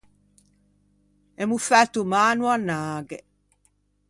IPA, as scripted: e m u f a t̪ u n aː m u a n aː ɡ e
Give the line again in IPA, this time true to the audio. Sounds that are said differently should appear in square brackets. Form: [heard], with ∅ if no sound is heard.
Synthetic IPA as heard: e m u f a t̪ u [m] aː [n] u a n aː ɡ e

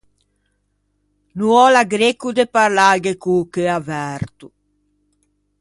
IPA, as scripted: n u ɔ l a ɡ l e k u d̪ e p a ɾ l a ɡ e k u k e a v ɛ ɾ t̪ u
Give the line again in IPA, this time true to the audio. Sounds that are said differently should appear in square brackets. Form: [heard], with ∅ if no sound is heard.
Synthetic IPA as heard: n u ɔ l a ɡ [ɾ] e k u d̪ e p a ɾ l a ɡ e k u k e a v ɛ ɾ t̪ u

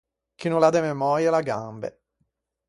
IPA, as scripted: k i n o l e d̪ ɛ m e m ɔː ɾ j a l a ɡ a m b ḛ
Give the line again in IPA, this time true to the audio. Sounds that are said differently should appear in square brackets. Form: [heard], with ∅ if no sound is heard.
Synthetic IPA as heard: k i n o l [a] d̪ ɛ m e m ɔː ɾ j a l a ɡ a m b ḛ

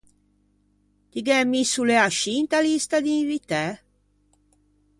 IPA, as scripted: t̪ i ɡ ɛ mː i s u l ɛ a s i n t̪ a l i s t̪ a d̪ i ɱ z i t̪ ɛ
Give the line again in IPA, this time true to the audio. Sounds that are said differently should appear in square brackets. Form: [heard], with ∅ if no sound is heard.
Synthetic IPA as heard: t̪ i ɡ ɛ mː i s u l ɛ a [ʃ] i n t̪ a l i s t̪ a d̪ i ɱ [v] i t̪ ɛ

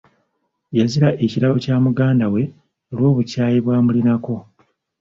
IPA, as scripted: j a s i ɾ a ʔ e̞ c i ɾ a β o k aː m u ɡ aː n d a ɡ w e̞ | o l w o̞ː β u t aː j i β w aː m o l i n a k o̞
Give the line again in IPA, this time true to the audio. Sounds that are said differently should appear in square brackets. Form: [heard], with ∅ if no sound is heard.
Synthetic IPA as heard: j a [z] i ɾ a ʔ e̞ c i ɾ a β o [c] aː m u ɡ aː n d a [∅] w e̞ | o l w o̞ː β u [c] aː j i β w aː m [u] l i n a k o̞

